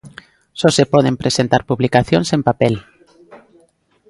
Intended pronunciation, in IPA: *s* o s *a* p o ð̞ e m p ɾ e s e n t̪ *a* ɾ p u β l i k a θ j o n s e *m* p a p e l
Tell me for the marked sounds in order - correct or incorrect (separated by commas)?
correct, incorrect, correct, correct